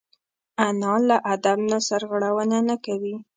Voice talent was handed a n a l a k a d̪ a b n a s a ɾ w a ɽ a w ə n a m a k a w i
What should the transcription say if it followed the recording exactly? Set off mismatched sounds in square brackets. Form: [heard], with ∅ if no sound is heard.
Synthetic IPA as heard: a n [ɑ] l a [ʔ] a d̪ a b n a s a ɾ [ɣ] a ɽ a w ə n a [n] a k a w i

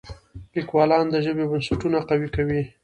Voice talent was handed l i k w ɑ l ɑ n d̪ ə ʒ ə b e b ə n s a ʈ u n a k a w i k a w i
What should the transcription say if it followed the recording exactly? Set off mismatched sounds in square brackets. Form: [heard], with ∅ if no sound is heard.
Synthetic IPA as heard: l i k w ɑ l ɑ n d̪ ə ʒ ə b e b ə n s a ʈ u n a [q] a w i k a w i

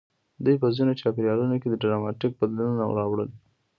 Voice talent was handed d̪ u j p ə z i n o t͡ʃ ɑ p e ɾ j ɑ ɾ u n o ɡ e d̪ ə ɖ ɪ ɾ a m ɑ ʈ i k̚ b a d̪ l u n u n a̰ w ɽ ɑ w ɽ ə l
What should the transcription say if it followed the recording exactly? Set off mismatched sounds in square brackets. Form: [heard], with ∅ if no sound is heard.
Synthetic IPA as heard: d̪ u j p ə z i n o t͡ʃ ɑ p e ɾ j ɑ [l] u n o [k] e d̪ ə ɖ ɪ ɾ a m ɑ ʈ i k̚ b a d̪ l u n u n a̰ w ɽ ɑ w ɽ ə l

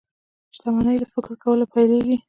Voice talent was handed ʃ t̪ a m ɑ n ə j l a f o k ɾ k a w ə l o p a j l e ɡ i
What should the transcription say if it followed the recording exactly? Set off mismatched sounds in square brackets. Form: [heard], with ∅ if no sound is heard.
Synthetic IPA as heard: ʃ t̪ a m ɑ n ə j l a f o k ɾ k a w ə l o p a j l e ɡ i

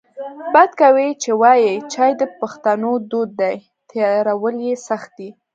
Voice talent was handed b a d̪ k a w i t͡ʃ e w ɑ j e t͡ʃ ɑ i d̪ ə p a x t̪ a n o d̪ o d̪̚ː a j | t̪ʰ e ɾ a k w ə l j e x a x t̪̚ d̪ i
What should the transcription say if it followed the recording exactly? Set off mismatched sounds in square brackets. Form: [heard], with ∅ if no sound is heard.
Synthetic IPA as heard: b a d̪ k a w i t͡ʃ e w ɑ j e t͡ʃ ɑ [j] d̪ ə p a x t̪ a n o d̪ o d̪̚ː a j | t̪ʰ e ɾ a [∅] w ə l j e [s] a x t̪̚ d̪ i

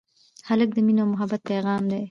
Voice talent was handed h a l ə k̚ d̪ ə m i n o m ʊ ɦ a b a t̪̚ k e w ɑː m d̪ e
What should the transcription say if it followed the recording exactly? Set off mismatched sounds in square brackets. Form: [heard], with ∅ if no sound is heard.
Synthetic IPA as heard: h a l ə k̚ d̪ ə m i n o m ʊ ɦ a b a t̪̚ [p] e [ɣ] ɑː m d̪ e

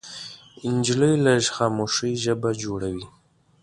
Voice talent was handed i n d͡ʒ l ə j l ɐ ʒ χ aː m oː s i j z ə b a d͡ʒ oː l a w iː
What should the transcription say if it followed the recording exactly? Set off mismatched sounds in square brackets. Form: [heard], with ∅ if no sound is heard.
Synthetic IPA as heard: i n d͡ʒ l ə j l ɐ ʒ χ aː m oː [ʂ] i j [ʒ] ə b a d͡ʒ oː [ɽ] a w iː

